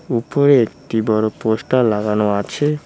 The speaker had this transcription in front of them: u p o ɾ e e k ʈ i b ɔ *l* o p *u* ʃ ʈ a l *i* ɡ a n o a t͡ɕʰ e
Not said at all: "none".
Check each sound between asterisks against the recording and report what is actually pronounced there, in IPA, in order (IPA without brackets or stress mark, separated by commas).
ɾ, o, a